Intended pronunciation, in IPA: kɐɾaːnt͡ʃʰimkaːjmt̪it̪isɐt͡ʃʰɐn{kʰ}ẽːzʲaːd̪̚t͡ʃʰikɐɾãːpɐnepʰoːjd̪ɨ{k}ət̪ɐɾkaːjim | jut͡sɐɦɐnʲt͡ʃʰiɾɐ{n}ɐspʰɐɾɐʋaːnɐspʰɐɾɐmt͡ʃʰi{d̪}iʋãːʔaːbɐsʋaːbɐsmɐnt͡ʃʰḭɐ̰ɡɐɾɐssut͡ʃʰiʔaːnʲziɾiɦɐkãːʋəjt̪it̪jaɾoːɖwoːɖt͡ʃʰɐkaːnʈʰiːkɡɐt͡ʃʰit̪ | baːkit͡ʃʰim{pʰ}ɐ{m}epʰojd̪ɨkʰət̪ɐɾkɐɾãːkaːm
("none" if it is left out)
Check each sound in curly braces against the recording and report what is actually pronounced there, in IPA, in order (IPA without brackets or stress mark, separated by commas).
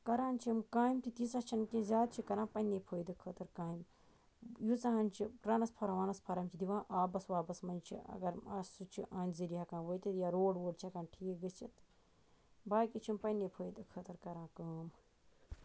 k, kʰ, n, d̪, p, n